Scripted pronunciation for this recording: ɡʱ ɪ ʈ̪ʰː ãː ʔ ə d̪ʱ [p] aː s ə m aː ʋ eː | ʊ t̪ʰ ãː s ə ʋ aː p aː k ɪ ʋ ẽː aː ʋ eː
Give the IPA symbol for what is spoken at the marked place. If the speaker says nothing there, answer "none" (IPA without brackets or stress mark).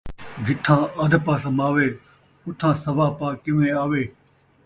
p